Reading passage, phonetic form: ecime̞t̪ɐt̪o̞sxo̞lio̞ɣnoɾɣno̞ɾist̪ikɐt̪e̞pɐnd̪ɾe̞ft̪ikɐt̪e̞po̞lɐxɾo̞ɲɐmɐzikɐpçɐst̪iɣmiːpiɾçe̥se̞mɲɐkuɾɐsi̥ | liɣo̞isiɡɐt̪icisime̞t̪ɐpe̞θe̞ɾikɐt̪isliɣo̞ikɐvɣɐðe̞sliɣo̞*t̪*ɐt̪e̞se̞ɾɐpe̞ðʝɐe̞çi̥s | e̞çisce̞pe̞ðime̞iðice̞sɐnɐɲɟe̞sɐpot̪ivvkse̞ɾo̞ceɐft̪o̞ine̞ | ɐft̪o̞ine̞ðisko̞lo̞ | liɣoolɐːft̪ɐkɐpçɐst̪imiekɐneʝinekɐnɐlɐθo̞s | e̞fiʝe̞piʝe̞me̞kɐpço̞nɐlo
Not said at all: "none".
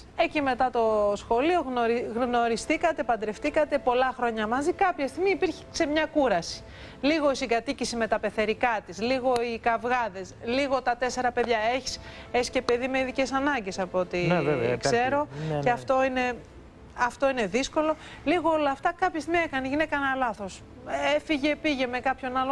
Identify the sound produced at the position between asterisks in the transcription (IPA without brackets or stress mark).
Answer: t̪